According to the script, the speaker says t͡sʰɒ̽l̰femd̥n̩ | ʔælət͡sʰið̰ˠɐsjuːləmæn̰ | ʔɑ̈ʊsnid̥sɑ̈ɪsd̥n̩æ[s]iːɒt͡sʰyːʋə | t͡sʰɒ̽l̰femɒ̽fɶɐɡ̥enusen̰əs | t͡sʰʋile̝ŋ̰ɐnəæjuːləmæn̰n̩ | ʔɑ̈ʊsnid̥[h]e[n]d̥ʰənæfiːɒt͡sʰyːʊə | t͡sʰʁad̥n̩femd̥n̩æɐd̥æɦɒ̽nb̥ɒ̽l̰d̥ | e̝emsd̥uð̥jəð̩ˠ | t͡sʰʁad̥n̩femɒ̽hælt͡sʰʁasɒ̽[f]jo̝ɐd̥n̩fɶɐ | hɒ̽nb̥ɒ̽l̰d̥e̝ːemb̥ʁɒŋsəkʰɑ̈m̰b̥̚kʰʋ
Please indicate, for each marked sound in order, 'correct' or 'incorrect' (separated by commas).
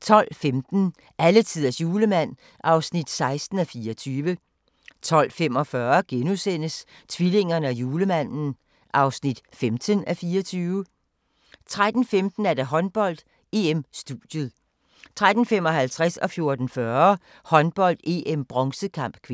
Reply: incorrect, incorrect, incorrect, correct